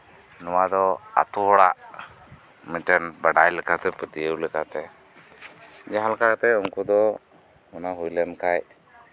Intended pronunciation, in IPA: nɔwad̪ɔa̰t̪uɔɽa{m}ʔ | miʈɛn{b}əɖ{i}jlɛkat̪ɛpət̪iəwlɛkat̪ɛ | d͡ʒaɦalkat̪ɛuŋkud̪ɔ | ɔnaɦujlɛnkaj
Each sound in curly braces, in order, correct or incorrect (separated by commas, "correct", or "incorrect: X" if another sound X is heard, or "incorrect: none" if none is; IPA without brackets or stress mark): incorrect: none, correct, incorrect: a